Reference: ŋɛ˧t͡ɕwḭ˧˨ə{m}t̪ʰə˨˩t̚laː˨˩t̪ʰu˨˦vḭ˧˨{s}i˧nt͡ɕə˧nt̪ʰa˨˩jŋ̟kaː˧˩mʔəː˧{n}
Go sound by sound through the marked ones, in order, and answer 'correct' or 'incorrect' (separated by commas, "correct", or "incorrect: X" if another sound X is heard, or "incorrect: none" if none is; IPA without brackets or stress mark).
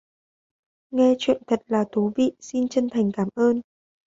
incorrect: n, correct, correct